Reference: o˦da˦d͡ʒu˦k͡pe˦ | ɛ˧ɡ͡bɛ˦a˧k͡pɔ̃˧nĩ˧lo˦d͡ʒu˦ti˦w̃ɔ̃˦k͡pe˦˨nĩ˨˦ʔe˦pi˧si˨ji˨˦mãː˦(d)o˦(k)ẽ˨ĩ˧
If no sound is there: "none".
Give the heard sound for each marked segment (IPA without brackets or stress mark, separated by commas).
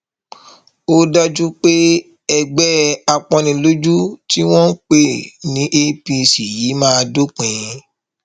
d, k͡p